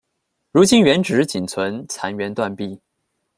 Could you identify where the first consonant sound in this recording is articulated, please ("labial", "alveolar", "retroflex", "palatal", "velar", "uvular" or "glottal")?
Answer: retroflex